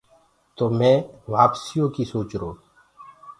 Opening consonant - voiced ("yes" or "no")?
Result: no